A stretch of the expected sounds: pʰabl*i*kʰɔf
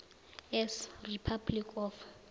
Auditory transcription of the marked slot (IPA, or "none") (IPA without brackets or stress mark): i